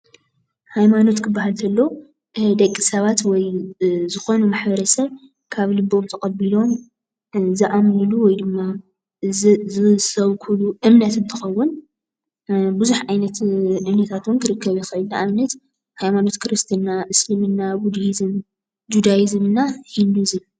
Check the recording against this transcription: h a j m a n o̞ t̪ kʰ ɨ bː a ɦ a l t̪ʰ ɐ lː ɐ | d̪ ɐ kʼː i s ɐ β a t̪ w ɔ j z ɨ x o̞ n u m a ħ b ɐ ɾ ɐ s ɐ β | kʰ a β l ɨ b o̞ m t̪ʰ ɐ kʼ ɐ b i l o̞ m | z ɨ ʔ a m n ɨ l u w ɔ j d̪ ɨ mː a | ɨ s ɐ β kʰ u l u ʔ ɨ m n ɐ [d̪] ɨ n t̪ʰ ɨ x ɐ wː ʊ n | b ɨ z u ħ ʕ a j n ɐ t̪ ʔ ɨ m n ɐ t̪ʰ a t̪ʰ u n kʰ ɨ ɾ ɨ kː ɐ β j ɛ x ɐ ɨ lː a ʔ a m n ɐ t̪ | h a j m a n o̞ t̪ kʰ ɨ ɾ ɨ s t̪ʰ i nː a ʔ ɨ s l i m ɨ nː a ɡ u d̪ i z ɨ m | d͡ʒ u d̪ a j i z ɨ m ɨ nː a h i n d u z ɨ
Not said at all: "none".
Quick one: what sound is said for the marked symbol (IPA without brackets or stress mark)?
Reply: t̪